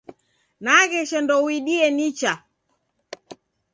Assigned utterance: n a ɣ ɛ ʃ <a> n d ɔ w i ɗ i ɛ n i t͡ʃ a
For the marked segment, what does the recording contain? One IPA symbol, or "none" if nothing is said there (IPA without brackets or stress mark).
ɛ